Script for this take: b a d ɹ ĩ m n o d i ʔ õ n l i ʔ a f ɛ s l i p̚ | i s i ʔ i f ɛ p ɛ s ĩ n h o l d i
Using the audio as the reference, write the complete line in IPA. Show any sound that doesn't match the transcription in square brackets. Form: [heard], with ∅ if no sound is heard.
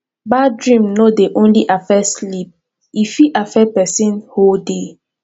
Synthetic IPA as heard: b a d ɹ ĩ m n o d [e] ʔ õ n l i ʔ a f ɛ s l i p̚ | i [f] i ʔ [a] f ɛ p ɛ s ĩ n h o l d [e]

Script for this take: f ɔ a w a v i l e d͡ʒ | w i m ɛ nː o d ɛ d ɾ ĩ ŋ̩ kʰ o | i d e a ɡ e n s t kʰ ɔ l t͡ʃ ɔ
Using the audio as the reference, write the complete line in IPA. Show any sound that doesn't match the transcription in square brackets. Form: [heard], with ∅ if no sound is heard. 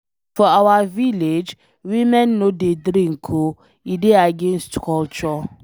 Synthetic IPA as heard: f ɔ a w a v i l e d͡ʒ | w i m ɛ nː o d [e] d ɾ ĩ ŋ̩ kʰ o | i d e a ɡ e n s t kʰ ɔ l t͡ʃ ɔ

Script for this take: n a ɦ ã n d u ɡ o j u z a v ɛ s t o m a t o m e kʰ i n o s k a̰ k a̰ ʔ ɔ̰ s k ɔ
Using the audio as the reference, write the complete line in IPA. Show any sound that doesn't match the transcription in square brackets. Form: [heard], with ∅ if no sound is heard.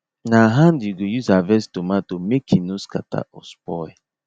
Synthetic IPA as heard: n a ɦ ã n d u ɡ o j u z a v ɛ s t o m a t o m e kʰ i n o s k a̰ [t] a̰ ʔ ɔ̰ s [p] ɔ

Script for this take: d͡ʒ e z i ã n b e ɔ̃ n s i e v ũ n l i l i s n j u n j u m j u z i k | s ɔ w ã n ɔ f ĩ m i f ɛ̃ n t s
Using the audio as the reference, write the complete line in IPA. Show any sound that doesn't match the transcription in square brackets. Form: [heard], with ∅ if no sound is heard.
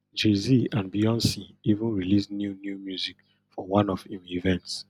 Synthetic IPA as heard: d͡ʒ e z i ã n b [i] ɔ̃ n s i [i] v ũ n [ɹ] i l i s n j u n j u m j u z i k | [f] ɔ w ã n ɔ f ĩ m i [v] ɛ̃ n t s

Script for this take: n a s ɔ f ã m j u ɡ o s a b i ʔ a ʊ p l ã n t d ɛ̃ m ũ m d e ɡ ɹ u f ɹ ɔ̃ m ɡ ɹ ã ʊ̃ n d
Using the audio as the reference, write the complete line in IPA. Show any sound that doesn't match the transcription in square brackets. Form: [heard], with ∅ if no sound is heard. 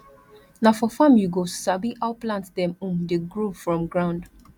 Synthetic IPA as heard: n a [f] ɔ f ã m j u ɡ o s a b i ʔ a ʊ p l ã n t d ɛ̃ m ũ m d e ɡ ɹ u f ɹ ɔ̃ m ɡ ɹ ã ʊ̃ n d

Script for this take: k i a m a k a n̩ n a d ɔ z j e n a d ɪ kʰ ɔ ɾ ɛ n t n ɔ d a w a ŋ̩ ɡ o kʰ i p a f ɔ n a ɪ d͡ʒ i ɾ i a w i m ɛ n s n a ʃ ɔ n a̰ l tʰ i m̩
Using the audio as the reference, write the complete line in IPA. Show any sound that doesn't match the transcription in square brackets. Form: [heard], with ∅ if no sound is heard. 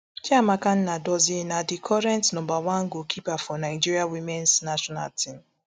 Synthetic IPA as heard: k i a m a k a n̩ n a d ɔ z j e n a d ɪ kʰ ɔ ɾ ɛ n t n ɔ [b] a w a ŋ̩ ɡ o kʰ i p a f ɔ n a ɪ d͡ʒ i ɾ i a w i m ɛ n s n a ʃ ɔ n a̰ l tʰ i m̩

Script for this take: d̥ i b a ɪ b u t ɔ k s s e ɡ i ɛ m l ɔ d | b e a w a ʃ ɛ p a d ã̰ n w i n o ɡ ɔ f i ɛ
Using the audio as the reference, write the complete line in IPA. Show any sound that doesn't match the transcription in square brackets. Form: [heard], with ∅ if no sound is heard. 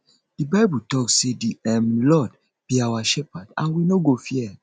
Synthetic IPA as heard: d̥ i b a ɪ b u t ɔ k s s e [d] i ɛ m l ɔ d | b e a w a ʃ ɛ p a d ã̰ n w i n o ɡ [o] f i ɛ

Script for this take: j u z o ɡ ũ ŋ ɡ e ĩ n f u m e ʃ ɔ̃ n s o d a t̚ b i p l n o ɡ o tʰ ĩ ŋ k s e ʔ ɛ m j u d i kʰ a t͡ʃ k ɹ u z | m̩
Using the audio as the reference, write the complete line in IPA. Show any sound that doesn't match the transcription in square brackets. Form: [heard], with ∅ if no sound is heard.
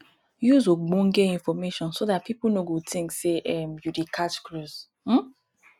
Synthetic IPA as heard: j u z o [ɡ͡b] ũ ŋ ɡ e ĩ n f [ɔ] m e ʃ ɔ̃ n s o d a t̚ [p] i p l n o ɡ o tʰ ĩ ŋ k s e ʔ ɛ m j u d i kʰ a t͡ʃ k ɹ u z | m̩

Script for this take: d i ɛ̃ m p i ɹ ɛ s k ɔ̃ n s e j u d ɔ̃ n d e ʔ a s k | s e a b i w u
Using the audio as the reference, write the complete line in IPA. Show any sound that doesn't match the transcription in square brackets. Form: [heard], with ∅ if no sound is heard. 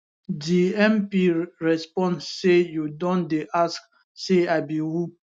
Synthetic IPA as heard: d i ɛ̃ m p i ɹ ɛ s [p] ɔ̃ n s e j u d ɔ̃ n d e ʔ a s k | s e a b i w u

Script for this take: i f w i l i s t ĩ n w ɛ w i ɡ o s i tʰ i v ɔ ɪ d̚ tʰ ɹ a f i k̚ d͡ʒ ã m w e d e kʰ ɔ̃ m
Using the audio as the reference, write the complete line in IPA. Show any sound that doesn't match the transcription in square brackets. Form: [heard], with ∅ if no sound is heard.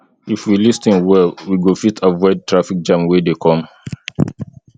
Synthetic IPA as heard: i f w i l i s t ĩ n w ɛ w i ɡ o [f] i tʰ [a] v ɔ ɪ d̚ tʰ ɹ a f i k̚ d͡ʒ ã m w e d e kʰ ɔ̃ m

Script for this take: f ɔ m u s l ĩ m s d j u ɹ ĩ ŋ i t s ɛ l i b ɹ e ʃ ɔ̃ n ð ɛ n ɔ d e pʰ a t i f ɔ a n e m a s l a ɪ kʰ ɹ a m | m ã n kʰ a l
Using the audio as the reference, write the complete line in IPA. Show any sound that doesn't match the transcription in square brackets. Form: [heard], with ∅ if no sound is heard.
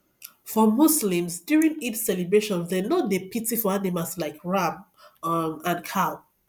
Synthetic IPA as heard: f ɔ m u s l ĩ m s d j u ɹ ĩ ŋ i t s ɛ l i b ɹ e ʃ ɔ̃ n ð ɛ n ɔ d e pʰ [i] t i f ɔ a n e m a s l a ɪ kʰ ɹ a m | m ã n kʰ a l

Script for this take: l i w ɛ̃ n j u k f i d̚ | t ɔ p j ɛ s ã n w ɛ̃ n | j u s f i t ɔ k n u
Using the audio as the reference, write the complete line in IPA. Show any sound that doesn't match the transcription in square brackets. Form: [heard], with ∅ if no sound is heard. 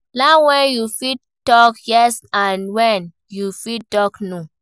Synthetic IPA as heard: l [a] w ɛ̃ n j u [∅] f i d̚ | t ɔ [k] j ɛ s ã n w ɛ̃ n | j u [∅] f i t ɔ k n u

